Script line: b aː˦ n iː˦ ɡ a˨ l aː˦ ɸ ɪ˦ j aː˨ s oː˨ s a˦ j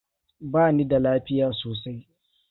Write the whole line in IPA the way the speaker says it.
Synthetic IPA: b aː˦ n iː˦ d a˨ l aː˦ ɸ ɪ˦ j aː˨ s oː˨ s a˦ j